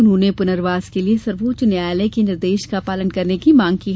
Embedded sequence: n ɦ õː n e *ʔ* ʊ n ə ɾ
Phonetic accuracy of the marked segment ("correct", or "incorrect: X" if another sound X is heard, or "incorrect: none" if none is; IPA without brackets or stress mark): incorrect: p